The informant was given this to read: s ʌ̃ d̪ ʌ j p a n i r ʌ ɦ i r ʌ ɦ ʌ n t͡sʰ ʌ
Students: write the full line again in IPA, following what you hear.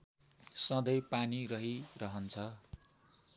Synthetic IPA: s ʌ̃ d̪ ʌ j p a n i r ʌ ɦ i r ʌ ɦ ʌ n t͡sʰ ʌ